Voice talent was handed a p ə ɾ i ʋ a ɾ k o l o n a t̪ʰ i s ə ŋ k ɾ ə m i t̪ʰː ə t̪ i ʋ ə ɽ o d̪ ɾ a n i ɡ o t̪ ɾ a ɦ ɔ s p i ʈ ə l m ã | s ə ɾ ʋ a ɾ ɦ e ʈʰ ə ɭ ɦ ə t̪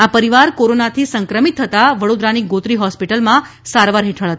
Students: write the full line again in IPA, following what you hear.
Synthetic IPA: a p ə ɾ i ʋ a ɾ k o ɾ o n a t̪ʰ i s ə ŋ k ɾ ə m i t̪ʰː ə t̪ a ʋ ə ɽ o d̪ ɾ a n i ɡ o t̪ ɾ i ɦ ɔ s p i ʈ ə l m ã | s a ɾ ʋ a ɾ ɦ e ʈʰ ə ɭ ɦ ə t̪